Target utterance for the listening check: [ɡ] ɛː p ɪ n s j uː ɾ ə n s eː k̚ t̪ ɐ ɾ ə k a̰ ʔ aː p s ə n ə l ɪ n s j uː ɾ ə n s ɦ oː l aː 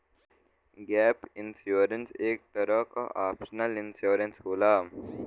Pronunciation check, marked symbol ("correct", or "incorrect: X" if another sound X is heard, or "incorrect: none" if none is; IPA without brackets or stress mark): correct